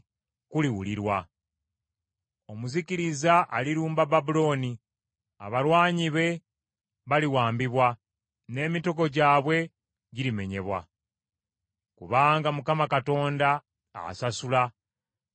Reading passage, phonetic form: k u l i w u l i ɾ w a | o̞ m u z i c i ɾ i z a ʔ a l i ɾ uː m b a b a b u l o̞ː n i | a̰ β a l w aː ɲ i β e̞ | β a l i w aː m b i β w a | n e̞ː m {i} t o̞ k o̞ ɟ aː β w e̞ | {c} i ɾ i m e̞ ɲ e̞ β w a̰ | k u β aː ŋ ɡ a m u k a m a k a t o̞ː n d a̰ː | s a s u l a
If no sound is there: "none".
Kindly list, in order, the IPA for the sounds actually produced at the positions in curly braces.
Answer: i, ɟ

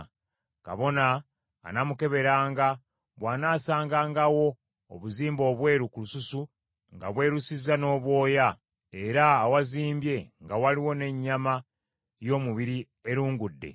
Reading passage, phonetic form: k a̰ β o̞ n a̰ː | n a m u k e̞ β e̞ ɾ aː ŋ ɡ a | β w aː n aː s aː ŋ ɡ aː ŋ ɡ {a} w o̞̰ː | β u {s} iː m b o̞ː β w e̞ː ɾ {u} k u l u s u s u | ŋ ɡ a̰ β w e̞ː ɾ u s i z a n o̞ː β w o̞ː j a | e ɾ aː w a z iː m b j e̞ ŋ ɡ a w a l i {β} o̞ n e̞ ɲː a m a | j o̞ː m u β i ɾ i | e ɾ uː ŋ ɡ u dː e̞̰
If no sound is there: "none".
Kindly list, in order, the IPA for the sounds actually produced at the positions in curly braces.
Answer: a, z, u, w

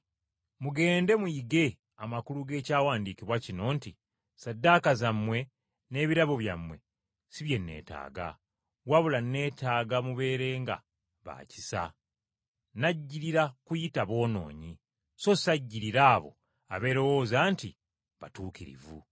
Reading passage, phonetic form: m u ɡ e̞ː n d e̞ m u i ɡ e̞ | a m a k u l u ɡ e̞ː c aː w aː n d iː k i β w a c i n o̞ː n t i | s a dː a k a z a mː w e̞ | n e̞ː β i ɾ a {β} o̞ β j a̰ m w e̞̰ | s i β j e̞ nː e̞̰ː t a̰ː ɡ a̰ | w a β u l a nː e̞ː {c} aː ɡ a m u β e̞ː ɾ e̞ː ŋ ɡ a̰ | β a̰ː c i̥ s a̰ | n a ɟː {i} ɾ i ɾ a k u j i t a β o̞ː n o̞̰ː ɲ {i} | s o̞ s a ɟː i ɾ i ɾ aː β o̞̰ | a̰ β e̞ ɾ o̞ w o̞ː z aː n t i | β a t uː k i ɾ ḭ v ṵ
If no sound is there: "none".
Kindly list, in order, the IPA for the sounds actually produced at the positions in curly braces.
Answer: β, t, i, i

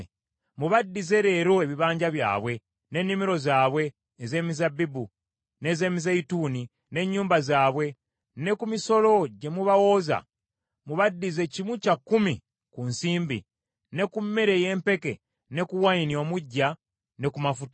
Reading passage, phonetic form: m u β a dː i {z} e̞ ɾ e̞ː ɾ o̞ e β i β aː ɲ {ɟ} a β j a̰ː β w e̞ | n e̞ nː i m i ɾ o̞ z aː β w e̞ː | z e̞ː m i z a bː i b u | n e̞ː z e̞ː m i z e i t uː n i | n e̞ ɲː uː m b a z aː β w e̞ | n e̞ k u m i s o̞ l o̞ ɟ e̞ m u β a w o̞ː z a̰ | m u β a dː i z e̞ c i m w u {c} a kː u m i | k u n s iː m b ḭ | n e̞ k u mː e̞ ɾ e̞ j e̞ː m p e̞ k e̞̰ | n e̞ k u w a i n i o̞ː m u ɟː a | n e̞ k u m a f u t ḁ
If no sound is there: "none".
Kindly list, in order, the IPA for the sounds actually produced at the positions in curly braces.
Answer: z, ɟ, c

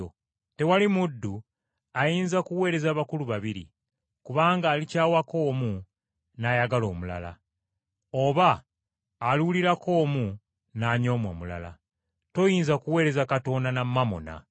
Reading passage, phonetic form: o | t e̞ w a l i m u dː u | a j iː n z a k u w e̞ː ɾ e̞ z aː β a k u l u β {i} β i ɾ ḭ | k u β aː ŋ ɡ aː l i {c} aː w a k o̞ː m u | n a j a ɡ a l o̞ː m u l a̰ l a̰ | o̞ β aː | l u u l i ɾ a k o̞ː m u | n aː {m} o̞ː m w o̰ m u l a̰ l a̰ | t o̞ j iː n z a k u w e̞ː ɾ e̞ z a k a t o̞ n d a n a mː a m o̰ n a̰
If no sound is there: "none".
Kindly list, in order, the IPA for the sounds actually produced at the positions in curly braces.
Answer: a, c, ɲ

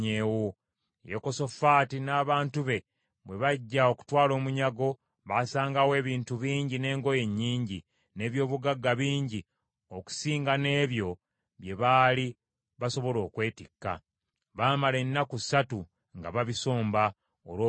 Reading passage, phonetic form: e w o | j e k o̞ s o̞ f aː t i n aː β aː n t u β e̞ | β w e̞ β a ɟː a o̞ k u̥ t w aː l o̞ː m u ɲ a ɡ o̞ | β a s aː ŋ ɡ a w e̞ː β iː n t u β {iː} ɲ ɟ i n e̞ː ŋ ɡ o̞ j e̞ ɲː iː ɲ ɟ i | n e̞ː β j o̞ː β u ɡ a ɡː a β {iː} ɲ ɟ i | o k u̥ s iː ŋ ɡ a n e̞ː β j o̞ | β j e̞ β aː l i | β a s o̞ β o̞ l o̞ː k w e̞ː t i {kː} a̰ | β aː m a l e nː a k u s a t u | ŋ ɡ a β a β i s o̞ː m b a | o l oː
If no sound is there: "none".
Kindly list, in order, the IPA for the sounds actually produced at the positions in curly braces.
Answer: iː, iː, kː

